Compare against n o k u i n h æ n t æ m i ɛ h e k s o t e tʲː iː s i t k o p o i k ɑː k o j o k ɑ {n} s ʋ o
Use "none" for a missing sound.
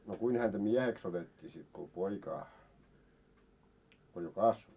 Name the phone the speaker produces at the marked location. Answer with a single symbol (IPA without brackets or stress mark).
none